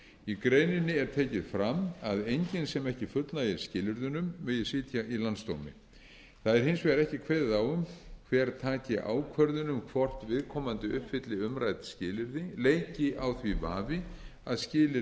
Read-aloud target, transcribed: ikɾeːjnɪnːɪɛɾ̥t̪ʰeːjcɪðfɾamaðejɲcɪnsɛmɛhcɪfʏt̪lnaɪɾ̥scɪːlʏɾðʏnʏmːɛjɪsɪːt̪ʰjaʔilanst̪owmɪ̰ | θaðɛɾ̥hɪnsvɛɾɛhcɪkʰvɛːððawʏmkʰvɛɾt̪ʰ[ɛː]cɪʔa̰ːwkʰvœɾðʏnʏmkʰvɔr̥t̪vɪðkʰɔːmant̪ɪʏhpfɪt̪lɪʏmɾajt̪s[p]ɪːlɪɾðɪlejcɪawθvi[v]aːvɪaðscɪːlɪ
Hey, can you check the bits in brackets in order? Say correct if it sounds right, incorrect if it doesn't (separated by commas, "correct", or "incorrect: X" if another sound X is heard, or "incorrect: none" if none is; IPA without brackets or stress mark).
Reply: incorrect: aː, incorrect: c, correct